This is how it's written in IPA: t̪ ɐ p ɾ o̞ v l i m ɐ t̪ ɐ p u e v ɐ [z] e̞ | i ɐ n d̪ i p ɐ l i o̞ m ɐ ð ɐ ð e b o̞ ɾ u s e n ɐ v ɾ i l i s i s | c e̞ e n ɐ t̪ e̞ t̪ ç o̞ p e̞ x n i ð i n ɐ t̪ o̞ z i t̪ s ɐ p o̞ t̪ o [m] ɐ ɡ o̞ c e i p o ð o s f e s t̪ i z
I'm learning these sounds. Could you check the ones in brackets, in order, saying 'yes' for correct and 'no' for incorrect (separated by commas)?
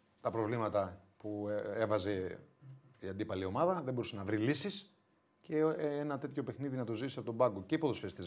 yes, no